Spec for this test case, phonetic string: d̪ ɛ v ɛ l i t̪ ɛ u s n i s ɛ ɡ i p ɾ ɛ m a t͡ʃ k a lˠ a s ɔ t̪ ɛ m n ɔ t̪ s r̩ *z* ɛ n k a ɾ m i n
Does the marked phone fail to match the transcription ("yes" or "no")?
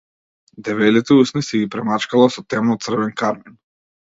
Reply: yes